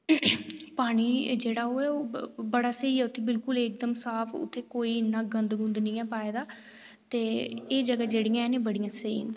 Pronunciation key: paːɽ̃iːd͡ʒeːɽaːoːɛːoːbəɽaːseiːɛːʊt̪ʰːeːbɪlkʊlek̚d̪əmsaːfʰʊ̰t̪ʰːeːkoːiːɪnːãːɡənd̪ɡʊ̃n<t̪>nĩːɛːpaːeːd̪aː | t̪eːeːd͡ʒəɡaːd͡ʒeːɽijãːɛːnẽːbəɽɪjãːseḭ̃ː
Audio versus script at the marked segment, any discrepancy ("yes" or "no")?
yes